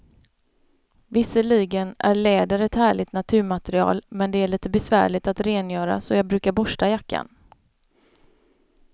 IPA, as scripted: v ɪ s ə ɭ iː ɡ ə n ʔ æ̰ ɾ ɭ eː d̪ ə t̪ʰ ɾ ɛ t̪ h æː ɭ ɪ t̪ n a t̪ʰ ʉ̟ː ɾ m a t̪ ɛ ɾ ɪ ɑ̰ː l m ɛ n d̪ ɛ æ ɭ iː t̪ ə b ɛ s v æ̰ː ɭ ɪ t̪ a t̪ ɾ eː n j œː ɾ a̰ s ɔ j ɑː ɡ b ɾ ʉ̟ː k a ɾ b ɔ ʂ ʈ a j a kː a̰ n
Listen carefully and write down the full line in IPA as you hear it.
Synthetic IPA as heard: v ɪ s ə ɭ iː ɡ ə n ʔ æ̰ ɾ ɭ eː d̪ ə ɾ ɛ t̪ h æː ɭ ɪ t̪ n a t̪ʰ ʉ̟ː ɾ m a t̪ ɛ ɾ ɪ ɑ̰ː l m ɛ n d̪ ɛ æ ɭ iː t̪ ə b ɛ s v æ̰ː ɭ ɪ t̪ a t̪ ɾ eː n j œː ɾ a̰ s ɔ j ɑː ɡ b ɾ ʉ̟ː k a ɾ b ɔ ʂ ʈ a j a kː a̰ n